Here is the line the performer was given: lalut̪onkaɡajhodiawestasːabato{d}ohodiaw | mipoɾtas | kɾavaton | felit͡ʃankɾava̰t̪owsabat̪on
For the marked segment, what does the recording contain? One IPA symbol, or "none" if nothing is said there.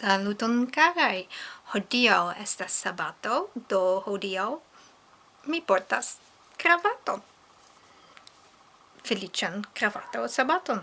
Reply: d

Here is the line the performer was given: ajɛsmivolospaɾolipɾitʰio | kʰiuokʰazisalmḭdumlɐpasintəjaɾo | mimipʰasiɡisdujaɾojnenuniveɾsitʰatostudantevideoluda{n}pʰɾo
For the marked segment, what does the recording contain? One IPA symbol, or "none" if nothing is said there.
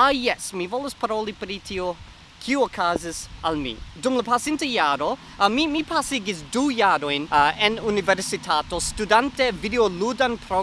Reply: n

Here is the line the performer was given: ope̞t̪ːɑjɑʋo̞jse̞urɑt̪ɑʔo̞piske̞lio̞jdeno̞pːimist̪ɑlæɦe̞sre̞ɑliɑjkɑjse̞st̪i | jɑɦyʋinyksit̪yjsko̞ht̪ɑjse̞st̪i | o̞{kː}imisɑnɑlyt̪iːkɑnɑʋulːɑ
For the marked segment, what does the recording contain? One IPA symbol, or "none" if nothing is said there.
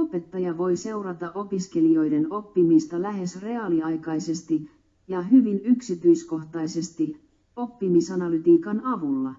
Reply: pː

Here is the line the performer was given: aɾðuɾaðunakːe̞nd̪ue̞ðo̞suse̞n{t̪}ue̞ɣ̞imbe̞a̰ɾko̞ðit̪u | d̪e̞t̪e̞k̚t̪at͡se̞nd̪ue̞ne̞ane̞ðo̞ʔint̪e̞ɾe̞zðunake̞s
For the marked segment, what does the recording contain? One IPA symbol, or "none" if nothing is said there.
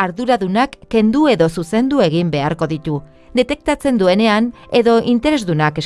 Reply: d̪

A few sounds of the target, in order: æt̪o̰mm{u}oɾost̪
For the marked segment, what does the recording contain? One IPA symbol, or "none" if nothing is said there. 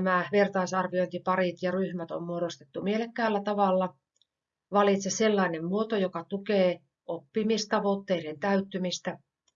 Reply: u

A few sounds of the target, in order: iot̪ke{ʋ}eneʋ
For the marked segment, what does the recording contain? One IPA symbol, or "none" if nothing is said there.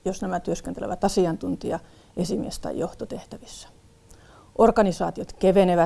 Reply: ʋ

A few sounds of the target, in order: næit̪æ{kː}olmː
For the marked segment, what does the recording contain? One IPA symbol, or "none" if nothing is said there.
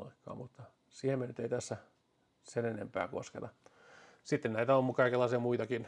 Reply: none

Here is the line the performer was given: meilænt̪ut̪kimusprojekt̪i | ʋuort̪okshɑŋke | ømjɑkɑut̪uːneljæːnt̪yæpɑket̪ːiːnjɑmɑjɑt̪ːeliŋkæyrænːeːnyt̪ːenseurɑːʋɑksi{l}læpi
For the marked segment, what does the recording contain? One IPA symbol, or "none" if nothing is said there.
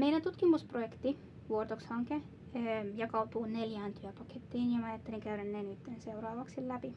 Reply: l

